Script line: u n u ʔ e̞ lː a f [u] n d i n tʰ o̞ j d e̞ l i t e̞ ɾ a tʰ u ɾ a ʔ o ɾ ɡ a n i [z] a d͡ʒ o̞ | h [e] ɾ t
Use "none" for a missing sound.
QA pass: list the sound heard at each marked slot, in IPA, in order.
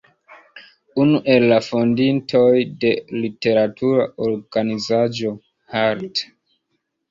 o, z, a

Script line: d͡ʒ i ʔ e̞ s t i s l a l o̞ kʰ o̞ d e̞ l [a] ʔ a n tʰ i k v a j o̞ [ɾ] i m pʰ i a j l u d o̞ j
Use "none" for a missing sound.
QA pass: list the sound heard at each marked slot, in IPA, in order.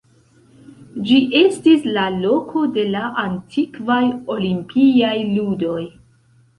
a, l

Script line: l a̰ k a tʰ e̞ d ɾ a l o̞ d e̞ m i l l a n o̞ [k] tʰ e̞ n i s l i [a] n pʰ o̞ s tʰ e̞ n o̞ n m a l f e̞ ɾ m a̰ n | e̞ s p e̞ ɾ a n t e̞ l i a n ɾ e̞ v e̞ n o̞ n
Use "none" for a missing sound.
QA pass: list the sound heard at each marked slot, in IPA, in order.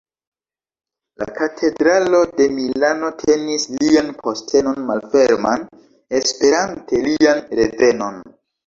none, a

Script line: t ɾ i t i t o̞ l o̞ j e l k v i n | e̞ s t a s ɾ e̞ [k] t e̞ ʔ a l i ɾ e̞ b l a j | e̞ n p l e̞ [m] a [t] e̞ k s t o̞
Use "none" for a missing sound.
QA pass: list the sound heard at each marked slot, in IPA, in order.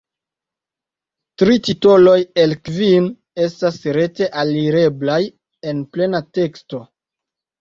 none, n, t

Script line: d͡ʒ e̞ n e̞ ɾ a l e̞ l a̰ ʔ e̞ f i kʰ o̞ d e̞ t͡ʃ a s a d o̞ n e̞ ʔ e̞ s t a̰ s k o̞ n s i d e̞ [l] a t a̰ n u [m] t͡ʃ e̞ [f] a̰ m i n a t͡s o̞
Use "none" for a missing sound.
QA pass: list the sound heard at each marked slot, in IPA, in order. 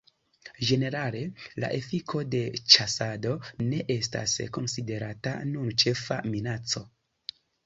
ɾ, n, f

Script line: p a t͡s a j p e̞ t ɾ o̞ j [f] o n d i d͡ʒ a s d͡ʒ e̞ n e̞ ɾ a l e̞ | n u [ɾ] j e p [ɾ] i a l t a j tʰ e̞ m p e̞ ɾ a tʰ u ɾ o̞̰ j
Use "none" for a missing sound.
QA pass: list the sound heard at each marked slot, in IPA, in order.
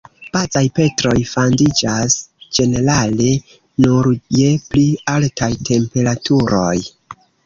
f, ɾ, l

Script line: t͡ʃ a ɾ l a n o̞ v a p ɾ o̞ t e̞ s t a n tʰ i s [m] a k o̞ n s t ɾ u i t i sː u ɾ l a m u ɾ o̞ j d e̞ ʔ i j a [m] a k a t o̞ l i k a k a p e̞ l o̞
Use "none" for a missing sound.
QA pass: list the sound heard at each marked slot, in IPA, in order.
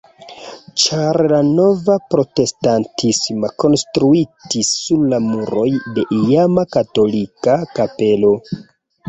m, m

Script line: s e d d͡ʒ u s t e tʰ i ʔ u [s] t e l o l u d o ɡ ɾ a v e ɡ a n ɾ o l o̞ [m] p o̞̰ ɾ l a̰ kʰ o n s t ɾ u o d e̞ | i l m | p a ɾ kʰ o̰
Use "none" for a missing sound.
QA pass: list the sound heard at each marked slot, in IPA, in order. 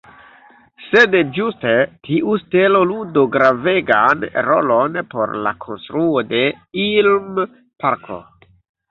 s, n

